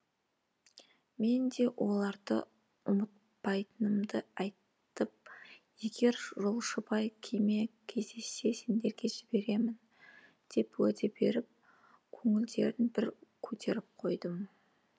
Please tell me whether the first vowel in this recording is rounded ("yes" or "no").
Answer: no